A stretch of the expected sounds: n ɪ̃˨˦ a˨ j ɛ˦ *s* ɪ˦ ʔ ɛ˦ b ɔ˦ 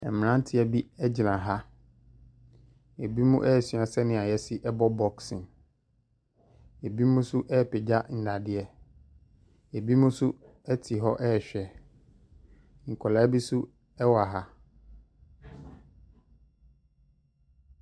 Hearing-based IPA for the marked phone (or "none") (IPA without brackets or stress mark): s